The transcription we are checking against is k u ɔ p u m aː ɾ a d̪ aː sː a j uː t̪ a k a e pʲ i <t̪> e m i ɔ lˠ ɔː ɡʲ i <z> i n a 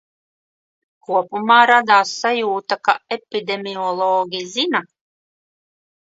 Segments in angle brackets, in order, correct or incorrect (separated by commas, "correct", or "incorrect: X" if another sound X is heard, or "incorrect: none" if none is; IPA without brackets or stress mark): incorrect: d̪, correct